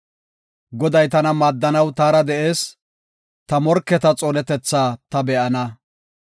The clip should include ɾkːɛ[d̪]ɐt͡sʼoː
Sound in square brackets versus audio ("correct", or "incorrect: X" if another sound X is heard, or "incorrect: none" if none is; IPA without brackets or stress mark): incorrect: t̪